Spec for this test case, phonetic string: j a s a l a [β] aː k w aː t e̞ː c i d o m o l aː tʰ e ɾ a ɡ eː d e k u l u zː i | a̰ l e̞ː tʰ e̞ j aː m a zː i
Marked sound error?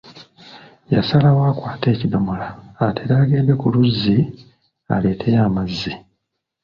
yes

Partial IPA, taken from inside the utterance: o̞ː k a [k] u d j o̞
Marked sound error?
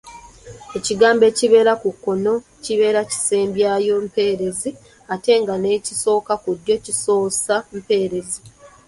no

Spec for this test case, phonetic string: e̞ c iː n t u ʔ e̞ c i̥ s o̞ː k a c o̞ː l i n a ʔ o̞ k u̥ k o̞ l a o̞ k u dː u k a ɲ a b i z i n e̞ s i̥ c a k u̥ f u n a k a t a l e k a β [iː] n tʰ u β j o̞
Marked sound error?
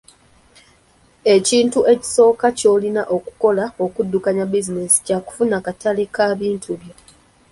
no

